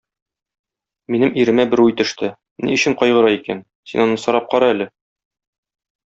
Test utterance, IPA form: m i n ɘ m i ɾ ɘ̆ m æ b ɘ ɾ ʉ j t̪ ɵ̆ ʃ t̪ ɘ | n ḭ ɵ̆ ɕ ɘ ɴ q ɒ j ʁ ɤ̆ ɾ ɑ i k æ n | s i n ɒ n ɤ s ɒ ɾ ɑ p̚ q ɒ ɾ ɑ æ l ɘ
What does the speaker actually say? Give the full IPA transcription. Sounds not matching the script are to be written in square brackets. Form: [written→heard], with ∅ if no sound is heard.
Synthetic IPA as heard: m i n ɘ m i ɾ ɘ̆ m æ b ɘ ɾ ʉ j t̪ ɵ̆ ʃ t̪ ɘ | n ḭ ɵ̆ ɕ ɘ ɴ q ɒ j ʁ ɤ̆ ɾ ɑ i k æ n | s i n ɒ n ɤ s ɒ ɾ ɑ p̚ q ɒ ɾ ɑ æ l ɘ